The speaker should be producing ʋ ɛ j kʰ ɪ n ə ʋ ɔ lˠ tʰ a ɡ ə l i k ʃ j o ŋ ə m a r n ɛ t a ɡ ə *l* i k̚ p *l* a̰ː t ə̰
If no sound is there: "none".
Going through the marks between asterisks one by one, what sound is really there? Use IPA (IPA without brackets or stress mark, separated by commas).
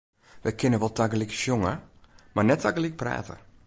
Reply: l, r